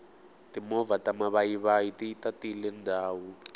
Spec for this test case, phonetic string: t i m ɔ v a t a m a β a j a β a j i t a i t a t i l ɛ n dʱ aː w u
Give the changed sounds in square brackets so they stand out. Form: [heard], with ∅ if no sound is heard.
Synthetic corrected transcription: t i m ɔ v a t a m a β a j [i] β a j i t [i] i t a t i l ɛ n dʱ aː w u